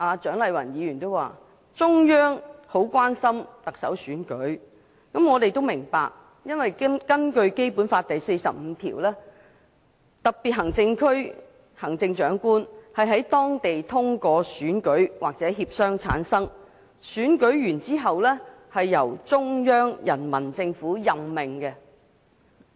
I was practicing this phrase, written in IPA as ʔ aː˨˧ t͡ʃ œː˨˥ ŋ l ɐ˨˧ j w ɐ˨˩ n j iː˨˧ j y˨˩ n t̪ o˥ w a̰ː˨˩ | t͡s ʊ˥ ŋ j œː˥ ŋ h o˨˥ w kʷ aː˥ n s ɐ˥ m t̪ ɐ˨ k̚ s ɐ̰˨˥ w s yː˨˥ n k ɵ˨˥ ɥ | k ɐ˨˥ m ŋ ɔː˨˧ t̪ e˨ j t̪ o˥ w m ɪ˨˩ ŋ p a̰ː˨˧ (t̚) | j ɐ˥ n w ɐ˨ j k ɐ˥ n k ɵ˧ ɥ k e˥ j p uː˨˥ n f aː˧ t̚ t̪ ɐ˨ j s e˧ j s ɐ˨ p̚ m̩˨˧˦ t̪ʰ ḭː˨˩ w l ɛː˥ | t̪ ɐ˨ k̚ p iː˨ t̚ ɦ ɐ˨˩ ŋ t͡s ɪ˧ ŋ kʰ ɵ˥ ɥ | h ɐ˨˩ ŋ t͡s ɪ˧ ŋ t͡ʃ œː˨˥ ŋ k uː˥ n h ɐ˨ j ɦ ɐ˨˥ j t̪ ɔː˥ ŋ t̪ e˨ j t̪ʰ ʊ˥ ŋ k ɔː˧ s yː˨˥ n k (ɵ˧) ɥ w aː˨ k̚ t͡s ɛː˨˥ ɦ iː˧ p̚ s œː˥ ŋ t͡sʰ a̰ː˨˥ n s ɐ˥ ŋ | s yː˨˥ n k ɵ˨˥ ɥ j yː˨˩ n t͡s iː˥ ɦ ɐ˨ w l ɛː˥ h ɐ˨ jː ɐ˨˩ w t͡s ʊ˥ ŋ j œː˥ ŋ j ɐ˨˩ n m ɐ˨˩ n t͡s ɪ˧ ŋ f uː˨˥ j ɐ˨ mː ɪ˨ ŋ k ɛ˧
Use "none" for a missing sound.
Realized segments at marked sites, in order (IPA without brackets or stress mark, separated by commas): k̚, ɵ˨˥